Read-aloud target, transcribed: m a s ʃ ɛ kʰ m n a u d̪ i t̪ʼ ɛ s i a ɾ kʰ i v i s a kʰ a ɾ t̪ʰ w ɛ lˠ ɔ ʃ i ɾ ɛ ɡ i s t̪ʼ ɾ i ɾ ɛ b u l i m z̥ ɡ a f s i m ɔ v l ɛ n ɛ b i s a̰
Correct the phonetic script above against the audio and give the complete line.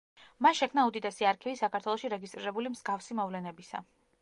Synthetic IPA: m a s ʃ ɛ kʰ m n a u d̪ i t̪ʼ ɛ s i a ɾ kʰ i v i s a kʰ a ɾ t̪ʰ w ɛ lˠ ɔ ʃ i ɾ ɛ ɡ i s t̪ʼ ɾ i ɾ ɛ b u l i m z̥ ɡ a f s i m ɔ v l ɛ n ɛ b i s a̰